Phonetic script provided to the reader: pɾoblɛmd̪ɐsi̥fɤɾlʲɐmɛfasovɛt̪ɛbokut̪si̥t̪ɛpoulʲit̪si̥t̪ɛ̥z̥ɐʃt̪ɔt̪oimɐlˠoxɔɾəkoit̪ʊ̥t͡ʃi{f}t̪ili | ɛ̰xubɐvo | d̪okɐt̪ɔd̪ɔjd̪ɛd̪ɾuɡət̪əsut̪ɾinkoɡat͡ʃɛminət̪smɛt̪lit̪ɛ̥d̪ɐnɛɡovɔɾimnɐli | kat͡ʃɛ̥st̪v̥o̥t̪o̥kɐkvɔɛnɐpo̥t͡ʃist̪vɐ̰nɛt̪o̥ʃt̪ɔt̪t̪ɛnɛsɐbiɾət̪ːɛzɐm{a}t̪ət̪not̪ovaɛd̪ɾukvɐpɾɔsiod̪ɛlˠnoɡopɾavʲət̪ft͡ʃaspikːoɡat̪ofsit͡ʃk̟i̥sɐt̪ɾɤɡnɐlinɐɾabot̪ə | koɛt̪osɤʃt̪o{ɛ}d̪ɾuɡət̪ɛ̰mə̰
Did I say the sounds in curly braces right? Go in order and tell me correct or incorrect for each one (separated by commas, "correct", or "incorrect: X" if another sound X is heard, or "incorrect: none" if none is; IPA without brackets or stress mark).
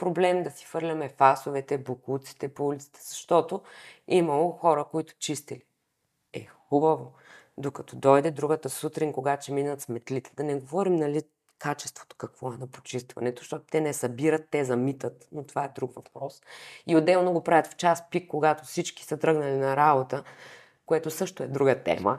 incorrect: s, incorrect: i, correct